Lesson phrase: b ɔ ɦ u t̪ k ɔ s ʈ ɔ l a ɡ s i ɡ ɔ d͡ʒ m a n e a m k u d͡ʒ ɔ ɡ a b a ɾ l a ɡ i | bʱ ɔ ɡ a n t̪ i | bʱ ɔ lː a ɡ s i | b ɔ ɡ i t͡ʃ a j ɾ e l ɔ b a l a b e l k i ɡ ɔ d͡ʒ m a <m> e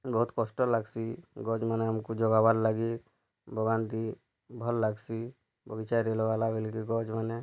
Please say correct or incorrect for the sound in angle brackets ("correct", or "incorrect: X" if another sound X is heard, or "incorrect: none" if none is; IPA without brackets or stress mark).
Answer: incorrect: n